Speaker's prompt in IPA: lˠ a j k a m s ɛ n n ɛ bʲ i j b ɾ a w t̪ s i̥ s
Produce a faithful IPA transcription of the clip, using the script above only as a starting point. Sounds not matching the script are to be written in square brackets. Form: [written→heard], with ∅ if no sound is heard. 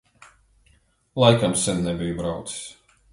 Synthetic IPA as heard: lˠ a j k a m s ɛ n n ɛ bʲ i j b ɾ a w t̪ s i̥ s